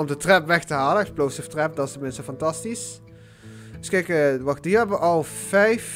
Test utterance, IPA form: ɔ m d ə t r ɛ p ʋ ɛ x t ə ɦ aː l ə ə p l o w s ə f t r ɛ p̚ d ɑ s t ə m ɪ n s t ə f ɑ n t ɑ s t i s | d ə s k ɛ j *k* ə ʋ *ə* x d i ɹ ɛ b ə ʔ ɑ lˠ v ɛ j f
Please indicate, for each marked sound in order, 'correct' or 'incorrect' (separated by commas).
correct, incorrect